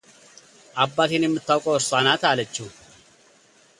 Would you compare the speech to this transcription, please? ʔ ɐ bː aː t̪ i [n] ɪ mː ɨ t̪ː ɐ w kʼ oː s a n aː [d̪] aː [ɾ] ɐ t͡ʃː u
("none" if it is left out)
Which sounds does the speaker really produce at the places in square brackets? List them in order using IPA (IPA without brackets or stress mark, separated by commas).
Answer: n, t̪, l